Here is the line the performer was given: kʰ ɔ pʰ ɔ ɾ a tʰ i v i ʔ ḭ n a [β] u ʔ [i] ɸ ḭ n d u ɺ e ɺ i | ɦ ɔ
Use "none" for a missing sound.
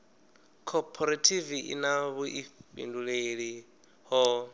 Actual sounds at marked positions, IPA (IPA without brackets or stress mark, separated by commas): β, i